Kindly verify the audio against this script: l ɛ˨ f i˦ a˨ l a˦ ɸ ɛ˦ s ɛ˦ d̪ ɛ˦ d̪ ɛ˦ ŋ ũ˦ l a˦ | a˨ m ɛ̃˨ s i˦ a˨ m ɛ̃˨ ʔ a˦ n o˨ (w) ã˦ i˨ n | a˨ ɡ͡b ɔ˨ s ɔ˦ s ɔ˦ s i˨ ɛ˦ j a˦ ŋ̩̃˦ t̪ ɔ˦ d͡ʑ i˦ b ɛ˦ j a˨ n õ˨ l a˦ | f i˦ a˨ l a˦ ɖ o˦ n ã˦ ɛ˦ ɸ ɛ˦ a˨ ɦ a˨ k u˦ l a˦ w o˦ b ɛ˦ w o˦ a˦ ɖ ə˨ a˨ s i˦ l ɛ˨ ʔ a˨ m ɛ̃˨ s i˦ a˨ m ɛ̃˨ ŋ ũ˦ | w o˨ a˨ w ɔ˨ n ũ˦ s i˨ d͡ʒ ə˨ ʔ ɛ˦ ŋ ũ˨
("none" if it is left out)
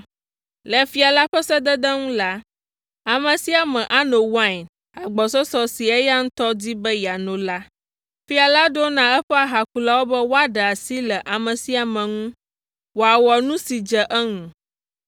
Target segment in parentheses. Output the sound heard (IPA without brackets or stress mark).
w